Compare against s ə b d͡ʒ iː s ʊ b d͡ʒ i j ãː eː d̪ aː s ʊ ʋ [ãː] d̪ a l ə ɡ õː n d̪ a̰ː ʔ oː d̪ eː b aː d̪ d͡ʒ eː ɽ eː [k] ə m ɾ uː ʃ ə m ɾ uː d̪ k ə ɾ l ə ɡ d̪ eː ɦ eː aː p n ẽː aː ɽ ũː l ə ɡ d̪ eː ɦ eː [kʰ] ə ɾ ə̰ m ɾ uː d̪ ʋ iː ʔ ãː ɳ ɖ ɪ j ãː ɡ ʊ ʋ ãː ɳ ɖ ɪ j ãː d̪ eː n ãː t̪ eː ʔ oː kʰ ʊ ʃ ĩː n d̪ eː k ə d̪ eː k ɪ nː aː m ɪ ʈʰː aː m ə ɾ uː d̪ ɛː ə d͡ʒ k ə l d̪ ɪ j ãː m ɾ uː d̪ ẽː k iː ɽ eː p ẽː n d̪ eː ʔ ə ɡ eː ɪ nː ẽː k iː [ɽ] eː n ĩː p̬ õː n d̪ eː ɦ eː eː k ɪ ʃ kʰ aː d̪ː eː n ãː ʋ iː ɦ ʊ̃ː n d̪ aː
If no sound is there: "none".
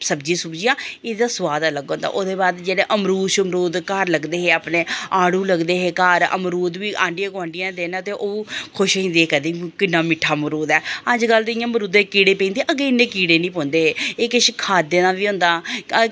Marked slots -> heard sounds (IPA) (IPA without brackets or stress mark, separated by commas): aː, ʔ, k, ɽ